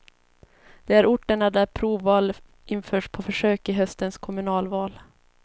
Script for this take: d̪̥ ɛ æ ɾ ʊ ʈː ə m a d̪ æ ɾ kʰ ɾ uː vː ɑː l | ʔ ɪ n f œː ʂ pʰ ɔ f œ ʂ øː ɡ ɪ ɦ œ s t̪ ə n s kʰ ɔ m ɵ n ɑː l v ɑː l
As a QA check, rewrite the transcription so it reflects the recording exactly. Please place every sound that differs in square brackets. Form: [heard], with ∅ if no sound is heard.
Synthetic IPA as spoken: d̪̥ ɛ æ ɾ ʊ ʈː ə [ɳ] a d̪ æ ɾ [pʰ] ɾ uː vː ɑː l | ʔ ɪ n f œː ʂ pʰ ɔ f œ ʂ øː [k] ɪ ɦ œ s t̪ ə n s kʰ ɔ m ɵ n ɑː l v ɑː l

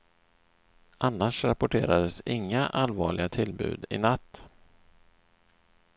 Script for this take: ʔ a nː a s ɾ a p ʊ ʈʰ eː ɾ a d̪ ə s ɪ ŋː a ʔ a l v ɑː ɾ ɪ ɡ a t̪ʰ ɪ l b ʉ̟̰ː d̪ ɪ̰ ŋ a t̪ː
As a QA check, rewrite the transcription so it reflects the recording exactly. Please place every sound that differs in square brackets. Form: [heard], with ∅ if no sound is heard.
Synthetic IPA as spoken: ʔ a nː a [ʂ] ɾ a p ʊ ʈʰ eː ɾ a d̪ ə s ɪ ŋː a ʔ a l v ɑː [ɭ] ɪ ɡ a t̪ʰ ɪ l b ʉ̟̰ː d̪ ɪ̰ [n] a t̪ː

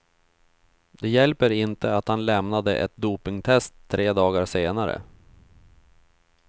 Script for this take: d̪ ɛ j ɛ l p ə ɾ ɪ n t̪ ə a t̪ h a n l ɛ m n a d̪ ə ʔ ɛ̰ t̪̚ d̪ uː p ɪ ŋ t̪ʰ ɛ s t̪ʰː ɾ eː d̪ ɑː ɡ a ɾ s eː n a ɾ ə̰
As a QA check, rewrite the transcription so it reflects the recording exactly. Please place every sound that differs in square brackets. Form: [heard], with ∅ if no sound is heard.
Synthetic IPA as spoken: d̪ ɛ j ɛ l p ə ɾ ɪ n t̪ ə a t̪ h a n l ɛ m n a d̪ ə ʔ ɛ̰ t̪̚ d̪ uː p ɪ ŋ t̪ʰ ɛ s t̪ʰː ɾ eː d̪ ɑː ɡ a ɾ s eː n a ɾ ə̰

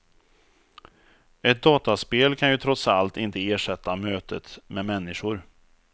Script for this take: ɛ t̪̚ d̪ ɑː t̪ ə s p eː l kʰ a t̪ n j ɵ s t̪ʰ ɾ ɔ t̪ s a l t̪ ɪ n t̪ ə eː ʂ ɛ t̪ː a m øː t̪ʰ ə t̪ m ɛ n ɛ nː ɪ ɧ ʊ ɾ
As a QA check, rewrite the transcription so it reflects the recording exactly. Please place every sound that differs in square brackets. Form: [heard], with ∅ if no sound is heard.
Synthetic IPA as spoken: ɛ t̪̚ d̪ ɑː t̪ [a] s p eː l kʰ a [∅] n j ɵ [∅] t̪ʰ ɾ ɔ t̪ s a l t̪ ɪ n t̪ ə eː ʂ ɛ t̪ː a m øː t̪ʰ ə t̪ m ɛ [m] ɛ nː ɪ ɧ ʊ ɾ

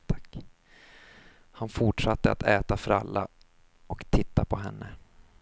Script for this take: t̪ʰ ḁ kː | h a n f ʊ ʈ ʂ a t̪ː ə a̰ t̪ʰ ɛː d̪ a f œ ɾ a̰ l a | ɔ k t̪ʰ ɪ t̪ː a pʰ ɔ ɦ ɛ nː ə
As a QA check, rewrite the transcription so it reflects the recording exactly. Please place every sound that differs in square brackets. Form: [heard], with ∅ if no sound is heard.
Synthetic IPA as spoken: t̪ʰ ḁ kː | h a n f ʊ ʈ ʂ a t̪ː ə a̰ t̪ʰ ɛː [t̪] a f œ ɾ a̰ [lː] a | ɔ k t̪ʰ ɪ t̪ː a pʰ ɔ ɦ ɛ nː ə

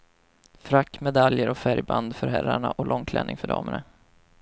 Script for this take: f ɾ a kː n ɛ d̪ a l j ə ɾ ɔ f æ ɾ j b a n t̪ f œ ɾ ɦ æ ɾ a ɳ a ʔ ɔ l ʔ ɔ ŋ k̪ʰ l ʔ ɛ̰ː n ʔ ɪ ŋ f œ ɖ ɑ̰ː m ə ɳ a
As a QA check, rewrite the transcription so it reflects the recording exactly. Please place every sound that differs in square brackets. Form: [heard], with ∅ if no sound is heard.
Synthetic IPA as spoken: f ɾ a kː [m] ɛ d̪ a l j ə ɾ ɔ f æ ɾ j b a n [d̪] f œ ɾ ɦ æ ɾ a ɳ a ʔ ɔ l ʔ ɔ ŋ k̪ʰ l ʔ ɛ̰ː n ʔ ɪ ŋ f œ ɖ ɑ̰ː m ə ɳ a

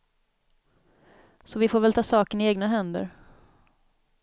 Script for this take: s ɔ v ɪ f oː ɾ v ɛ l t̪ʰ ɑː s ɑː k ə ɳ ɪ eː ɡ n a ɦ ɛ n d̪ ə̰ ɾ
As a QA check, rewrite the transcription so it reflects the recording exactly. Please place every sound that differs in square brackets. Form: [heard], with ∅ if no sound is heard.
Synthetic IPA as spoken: s ɔ v ɪ f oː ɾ v ɛ l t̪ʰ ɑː s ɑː k ə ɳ ɪ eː ɡ n a ɦ ɛ n d̪ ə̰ ɾ

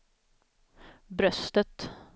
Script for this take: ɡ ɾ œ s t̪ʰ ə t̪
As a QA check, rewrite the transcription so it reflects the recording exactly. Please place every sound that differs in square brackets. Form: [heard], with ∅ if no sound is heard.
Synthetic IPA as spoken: [b] ɾ œ s [t̪] ə t̪

